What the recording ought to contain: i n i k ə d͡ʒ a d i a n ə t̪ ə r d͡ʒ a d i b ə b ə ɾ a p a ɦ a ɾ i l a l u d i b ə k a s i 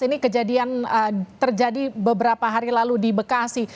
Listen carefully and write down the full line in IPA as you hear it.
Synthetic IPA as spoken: i n i k ə d͡ʒ a d i a n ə t̪ ə r d͡ʒ a d i b ə b ə ɾ a p a ɦ a ɾ i l a l u d i b ə k a s i